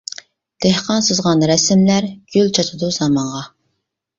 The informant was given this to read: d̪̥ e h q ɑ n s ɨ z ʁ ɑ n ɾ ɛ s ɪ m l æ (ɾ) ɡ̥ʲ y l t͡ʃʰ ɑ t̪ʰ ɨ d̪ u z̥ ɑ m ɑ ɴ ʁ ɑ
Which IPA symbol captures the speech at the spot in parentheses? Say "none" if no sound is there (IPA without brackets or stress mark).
ɾ